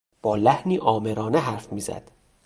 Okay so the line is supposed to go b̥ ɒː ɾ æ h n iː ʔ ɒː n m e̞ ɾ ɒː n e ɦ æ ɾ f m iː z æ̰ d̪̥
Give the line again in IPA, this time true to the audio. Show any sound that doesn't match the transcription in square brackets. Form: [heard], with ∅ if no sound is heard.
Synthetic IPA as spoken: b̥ ɒː [l] æ h n iː ʔ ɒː [∅] m e̞ ɾ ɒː n e ɦ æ ɾ f m iː z æ̰ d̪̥